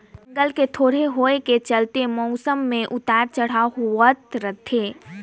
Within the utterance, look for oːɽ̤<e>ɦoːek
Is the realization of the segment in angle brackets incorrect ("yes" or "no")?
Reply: no